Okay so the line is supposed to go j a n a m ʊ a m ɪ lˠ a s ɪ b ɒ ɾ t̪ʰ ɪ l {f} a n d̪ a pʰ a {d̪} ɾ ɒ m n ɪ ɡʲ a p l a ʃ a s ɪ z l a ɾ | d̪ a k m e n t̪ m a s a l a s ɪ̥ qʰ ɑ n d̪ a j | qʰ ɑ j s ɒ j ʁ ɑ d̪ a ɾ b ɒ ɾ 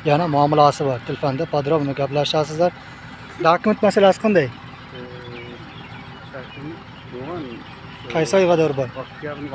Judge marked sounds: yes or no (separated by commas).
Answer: yes, yes